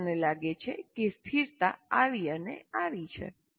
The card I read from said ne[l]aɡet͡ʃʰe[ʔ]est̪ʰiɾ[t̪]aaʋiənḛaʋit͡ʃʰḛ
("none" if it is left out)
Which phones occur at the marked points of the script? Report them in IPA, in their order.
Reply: l, k, t̪

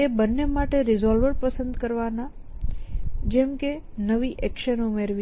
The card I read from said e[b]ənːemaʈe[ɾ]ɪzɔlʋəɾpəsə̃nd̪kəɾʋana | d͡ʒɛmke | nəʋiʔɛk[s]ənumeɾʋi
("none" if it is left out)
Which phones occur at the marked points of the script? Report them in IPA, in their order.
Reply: b, ɾ, ʃ

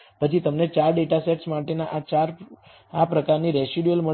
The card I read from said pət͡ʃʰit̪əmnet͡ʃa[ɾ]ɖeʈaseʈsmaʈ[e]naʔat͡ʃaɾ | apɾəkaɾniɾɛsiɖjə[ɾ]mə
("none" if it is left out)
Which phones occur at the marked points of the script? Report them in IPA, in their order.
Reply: ɾ, e, l

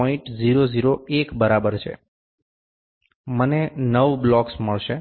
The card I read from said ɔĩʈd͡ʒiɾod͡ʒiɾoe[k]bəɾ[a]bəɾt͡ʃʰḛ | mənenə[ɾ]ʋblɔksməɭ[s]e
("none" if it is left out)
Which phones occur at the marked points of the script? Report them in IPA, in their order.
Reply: k, a, none, ʃ

